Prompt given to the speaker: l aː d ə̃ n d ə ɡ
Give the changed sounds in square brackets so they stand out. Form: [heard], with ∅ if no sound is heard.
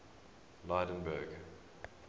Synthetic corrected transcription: l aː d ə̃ n [b] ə ɡ